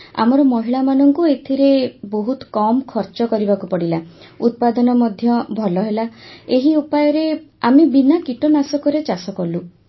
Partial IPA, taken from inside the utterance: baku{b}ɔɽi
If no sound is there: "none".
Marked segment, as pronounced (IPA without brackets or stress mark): p